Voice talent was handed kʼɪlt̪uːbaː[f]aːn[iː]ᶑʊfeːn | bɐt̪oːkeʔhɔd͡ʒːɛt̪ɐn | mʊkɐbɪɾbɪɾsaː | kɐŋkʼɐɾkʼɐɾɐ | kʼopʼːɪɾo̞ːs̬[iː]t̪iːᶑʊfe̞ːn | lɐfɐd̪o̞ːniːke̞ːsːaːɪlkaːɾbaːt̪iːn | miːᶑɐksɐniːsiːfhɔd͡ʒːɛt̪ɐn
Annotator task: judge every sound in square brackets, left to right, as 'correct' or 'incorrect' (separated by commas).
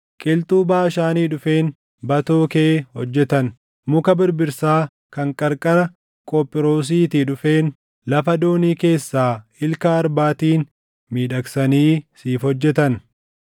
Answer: incorrect, correct, correct